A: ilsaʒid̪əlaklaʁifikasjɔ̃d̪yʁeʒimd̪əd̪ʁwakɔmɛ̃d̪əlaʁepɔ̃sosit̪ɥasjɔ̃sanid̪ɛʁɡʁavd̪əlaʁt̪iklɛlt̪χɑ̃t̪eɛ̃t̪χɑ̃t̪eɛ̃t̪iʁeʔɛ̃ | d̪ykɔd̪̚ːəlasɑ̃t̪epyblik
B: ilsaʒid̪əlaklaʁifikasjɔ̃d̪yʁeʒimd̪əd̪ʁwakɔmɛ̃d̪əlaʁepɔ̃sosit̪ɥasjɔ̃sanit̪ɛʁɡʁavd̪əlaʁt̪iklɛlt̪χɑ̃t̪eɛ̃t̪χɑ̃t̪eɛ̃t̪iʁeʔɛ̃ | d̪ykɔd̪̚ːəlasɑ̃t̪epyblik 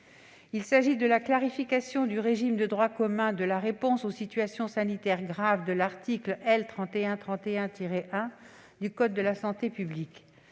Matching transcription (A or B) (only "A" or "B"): B